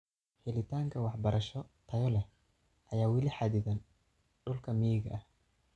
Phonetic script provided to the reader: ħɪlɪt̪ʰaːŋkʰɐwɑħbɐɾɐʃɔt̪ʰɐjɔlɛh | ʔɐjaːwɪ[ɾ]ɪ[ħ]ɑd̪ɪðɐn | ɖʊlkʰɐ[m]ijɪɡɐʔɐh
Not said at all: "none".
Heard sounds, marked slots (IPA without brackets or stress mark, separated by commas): l, ħ, m